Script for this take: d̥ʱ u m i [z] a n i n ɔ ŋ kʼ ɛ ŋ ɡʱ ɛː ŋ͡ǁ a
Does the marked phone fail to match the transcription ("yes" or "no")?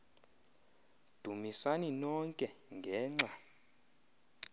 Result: yes